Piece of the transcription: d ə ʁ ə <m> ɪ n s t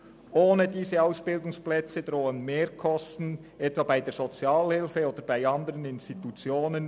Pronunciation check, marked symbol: incorrect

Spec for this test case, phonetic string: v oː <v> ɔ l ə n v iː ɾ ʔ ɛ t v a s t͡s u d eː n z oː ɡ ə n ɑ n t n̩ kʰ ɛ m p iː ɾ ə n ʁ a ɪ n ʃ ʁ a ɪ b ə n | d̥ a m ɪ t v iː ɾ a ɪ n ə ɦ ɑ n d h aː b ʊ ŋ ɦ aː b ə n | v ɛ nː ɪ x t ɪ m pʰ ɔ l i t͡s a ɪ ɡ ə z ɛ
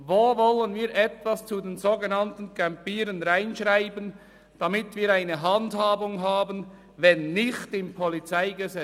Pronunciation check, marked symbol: correct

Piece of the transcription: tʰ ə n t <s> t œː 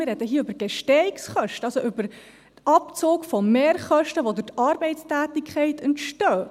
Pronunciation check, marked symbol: incorrect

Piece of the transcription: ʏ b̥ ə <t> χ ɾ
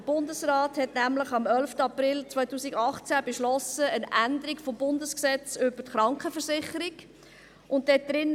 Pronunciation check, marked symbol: correct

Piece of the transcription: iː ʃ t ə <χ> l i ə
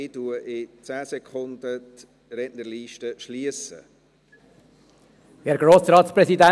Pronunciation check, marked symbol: incorrect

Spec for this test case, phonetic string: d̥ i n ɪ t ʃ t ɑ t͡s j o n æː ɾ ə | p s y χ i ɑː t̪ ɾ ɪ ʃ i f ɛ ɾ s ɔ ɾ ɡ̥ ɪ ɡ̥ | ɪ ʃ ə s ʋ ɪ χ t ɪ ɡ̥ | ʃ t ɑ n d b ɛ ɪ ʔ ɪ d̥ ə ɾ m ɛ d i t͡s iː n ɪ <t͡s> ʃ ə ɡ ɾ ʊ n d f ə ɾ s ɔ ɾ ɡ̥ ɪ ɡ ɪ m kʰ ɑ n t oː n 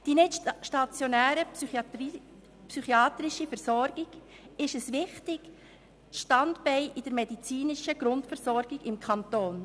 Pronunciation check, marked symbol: incorrect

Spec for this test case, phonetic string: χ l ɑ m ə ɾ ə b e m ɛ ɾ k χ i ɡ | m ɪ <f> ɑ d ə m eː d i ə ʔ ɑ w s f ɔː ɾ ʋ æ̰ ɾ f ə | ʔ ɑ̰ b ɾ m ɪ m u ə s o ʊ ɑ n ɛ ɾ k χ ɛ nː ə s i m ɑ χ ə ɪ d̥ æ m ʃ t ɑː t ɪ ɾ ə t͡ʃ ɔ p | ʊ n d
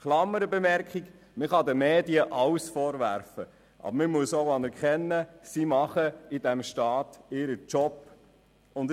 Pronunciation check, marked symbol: incorrect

